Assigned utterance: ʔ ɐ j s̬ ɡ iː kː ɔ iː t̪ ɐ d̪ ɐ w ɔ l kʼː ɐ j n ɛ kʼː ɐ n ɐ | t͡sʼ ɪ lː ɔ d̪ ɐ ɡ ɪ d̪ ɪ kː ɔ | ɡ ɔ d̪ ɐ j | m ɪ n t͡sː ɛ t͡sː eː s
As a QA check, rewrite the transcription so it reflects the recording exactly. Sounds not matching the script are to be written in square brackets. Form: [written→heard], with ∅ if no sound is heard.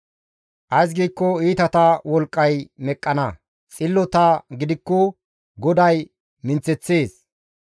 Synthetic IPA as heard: ʔ ɐ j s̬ ɡ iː kː ɔ iː t̪ ɐ [d̪→t̪] ɐ w ɔ l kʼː ɐ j [n→m] ɛ kʼː ɐ n ɐ | t͡sʼ ɪ lː ɔ [d̪→t̪] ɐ ɡ ɪ d̪ ɪ kː ɔ | ɡ ɔ d̪ ɐ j | m ɪ n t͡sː ɛ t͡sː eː s